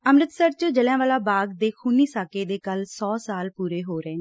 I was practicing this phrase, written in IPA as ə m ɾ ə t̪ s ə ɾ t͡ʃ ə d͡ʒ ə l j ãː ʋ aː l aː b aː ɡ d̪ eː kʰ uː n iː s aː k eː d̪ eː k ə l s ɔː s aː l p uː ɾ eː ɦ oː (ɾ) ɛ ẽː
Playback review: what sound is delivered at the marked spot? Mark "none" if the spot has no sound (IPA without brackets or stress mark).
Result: ɾ